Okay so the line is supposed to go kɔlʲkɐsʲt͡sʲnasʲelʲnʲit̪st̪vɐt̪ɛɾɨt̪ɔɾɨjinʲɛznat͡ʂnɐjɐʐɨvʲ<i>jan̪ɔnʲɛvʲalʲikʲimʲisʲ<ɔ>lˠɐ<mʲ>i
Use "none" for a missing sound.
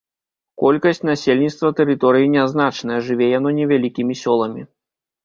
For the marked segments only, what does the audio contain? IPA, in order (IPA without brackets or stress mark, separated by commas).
ɛ, ɔ, mʲ